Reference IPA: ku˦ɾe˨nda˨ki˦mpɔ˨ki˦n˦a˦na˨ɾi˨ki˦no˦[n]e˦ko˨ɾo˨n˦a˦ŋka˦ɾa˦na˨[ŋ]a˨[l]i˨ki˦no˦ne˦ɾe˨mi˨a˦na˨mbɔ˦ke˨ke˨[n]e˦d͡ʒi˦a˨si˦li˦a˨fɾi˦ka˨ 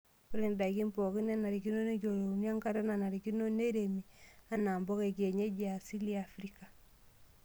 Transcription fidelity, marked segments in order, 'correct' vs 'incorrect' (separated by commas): correct, incorrect, incorrect, incorrect